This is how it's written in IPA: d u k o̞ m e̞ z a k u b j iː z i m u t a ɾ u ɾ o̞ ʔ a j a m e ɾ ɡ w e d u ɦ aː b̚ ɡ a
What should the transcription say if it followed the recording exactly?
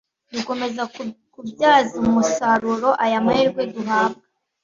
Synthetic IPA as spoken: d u k o̞ m e̞ z a k u b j aː z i m u s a ɾ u ɾ o̞ ʔ a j a m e ɾ ɡ w e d u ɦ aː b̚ ɡ a

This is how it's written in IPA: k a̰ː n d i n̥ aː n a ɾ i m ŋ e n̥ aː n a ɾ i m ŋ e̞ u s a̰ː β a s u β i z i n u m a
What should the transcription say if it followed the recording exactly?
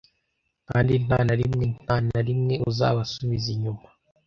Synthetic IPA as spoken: k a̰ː n d i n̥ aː n a ɾ i m ŋ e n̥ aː n a ɾ i m ŋ e̞ u z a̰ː β a s u β i z i ɲ u m a

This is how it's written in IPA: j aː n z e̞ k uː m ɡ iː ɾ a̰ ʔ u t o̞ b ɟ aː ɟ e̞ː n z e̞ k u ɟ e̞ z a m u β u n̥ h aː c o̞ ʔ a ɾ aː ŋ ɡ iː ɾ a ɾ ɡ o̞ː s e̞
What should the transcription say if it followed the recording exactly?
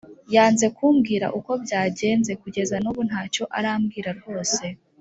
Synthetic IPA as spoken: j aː n z e̞ k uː m ɡ iː ɾ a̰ ʔ u k o̞ b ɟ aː ɟ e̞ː n z e̞ k u ɟ e̞ z a n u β u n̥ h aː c o̞ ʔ a ɾ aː m ɡ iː ɾ a ɾ ɡ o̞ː s e̞

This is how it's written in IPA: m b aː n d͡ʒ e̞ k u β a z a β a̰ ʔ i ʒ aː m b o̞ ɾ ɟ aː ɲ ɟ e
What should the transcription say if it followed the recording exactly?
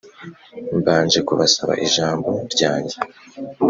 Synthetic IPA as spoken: m b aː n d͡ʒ e̞ k u β a s a β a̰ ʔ i ʒ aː m b o̞ ɾ ɟ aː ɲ ɟ e

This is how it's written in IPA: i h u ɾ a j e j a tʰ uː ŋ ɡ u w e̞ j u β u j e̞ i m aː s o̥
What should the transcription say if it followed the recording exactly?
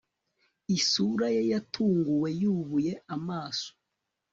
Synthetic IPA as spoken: i s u ɾ a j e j a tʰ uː ŋ ɡ u w e̞ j u β u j e̞ a m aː s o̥

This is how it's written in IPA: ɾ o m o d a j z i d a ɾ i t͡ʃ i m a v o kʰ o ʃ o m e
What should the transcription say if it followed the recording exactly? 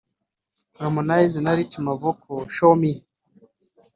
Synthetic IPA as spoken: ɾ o m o n a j z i n a ɾ i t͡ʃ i m a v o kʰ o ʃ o m i

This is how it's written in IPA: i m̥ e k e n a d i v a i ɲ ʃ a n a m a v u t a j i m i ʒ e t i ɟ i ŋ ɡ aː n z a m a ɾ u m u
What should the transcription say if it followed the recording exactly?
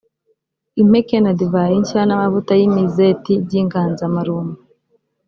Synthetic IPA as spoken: i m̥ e k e n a d i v a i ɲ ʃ a n a m a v u t a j i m i z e t i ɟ i ŋ ɡ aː n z a m a ɾ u m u

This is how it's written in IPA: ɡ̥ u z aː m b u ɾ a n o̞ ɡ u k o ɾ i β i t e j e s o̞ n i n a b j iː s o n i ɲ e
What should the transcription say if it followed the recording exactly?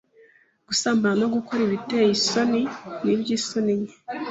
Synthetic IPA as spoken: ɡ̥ u s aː m b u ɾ a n o̞ ɡ u k o ɾ i β i t e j i s o̞ n i n i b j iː s o n i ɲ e

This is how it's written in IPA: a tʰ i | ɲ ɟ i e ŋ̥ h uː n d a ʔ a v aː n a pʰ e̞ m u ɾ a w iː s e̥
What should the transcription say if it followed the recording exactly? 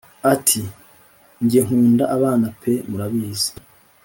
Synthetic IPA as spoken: a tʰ i | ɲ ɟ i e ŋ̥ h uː n d a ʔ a β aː n a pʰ e̞ m u ɾ a β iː z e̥

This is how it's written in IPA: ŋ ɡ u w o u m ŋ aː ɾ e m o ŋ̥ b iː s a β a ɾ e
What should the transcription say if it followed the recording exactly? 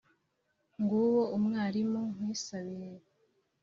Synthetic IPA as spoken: ŋ ɡ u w o u m ŋ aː ɾ i m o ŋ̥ w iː s a β i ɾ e

